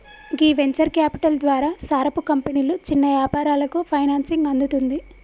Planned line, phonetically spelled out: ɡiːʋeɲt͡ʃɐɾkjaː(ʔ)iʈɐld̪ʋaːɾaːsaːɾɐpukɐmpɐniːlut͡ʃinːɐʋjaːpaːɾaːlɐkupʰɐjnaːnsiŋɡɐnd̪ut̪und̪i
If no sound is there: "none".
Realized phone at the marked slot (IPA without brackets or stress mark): p